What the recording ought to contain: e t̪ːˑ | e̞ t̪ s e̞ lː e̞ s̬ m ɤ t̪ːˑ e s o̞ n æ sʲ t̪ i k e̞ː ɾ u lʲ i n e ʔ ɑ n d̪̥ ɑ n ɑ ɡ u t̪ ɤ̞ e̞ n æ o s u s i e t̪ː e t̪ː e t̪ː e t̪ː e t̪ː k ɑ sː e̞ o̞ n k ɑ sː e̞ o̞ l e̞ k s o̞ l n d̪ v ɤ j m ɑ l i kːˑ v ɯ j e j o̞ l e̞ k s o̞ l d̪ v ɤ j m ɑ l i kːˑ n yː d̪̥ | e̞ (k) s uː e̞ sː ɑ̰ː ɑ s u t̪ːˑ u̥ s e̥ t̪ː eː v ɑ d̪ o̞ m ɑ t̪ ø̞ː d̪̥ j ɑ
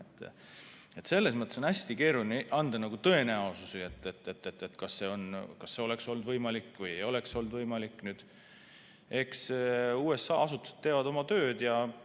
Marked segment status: correct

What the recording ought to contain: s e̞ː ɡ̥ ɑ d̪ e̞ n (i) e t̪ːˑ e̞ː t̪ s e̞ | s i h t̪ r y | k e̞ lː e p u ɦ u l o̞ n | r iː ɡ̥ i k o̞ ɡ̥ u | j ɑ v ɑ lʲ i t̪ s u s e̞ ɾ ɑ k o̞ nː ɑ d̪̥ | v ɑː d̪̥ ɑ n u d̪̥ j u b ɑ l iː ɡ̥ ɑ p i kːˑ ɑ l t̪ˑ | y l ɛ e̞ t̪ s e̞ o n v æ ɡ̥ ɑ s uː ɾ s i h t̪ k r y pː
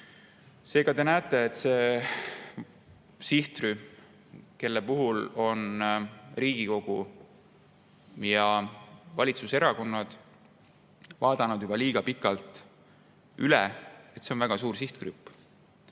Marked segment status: incorrect: æ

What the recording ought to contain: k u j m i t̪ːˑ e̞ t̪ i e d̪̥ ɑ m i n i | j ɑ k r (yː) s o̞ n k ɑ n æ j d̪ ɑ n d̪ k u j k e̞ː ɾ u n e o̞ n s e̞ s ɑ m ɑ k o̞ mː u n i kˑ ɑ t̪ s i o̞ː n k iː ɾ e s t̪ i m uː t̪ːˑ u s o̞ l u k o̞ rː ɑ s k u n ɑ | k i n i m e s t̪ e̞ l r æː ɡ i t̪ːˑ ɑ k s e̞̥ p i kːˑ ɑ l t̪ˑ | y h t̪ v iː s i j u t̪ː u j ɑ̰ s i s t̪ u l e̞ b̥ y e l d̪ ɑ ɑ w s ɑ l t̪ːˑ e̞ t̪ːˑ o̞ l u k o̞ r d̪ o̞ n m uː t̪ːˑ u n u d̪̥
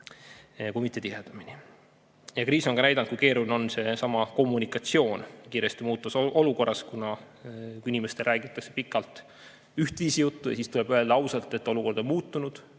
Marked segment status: incorrect: iː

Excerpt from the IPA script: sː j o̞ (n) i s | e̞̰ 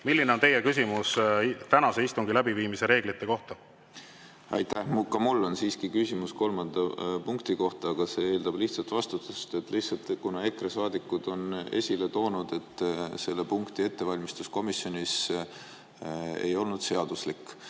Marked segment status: correct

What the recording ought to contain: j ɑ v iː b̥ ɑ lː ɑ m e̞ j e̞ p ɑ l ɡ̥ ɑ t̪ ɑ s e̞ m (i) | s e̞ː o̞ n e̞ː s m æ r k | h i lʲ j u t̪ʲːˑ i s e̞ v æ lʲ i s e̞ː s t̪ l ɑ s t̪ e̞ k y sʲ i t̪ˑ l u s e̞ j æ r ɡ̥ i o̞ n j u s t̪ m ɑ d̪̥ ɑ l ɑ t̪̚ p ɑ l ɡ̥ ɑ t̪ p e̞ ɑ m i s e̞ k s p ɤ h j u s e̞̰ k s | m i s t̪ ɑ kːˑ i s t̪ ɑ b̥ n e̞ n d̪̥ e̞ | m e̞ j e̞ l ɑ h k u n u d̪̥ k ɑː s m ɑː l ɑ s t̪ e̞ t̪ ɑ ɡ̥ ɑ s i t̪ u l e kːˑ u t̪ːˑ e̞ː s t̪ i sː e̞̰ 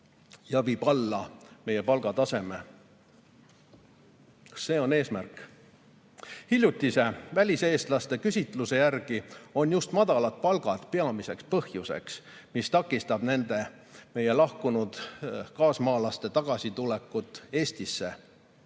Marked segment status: incorrect: e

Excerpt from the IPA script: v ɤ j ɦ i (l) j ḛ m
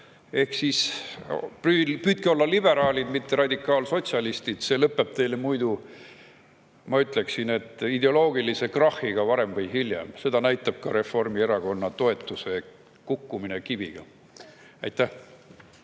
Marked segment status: correct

